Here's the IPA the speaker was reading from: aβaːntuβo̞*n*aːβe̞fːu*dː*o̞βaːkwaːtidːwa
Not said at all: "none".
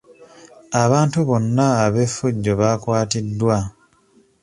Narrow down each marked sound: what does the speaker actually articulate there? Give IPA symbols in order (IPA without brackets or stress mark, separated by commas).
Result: nː, ɟː